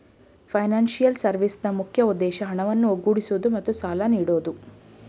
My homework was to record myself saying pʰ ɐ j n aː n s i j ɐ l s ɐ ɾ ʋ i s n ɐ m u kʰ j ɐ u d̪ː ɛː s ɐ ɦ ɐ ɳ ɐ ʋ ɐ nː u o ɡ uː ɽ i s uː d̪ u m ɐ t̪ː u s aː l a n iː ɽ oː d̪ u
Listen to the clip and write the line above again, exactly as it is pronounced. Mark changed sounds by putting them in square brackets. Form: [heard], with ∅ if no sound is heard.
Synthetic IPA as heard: pʰ ɐ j n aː n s i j ɐ l s ɐ ɾ ʋ i s n ɐ m u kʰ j ɐ u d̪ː ɛː [ʃ] ɐ ɦ ɐ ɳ ɐ ʋ ɐ nː u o ɡ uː ɽ i s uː d̪ u m ɐ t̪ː u s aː l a n iː ɽ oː d̪ u